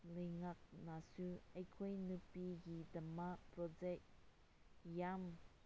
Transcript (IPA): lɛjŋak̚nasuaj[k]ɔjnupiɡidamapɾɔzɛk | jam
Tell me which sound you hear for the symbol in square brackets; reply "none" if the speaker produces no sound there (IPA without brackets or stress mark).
kʰ